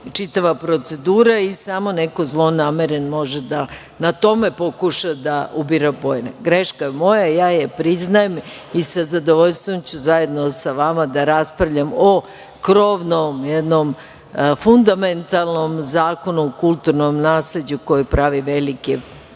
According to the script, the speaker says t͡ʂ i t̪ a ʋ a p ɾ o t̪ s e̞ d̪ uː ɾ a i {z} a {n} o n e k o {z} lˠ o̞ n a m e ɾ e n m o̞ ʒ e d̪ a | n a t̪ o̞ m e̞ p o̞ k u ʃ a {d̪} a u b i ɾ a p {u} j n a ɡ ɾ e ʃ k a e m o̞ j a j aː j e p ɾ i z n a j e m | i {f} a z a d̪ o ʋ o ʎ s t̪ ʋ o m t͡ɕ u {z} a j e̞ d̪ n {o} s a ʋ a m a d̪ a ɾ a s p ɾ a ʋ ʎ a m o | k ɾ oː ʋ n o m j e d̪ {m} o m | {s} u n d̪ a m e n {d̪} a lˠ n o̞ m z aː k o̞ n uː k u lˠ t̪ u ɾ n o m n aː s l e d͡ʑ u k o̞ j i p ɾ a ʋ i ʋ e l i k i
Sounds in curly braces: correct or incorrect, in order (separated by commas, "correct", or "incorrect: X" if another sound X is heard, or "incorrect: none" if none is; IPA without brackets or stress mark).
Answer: incorrect: s, incorrect: m, correct, correct, incorrect: o, incorrect: s, correct, correct, incorrect: n, incorrect: f, incorrect: t̪